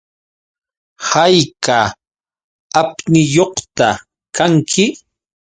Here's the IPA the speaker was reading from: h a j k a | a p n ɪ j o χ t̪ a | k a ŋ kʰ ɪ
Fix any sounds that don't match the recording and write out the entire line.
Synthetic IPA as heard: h a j k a | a p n ɪ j o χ t̪ a | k a ŋ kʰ ɪ